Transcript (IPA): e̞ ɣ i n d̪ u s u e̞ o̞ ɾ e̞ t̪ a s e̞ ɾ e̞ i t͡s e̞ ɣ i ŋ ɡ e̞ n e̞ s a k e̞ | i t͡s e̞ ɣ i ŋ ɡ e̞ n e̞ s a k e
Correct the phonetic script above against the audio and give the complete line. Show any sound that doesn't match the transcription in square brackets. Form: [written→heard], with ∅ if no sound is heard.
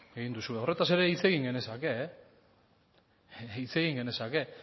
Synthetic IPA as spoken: e̞ ɣ i n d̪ u s u e̞ o̞ [ɾ→r] e̞ t̪ a s e̞ ɾ e̞ i t͡s e̞ ɣ i ŋ ɡ e̞ n e̞ s a k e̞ | i t͡s e̞ ɣ i ŋ ɡ e̞ n e̞ s a k e